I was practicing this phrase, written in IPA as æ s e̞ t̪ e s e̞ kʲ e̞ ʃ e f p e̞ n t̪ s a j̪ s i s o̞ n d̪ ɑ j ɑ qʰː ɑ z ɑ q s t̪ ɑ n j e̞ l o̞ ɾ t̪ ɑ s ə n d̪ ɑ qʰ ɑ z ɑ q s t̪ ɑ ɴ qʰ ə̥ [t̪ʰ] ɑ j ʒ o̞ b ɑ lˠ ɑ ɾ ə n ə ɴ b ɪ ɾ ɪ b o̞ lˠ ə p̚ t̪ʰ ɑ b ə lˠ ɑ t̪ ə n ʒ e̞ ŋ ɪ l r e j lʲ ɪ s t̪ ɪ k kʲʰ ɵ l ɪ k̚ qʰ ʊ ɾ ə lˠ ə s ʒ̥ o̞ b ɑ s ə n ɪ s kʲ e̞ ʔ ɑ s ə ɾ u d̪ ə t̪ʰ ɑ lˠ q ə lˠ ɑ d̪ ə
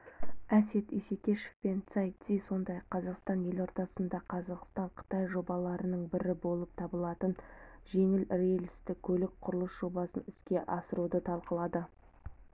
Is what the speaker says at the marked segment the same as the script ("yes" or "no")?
no